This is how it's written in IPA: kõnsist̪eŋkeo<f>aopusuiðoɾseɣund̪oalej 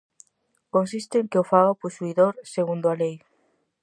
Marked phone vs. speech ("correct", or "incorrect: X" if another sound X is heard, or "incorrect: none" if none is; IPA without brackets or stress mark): correct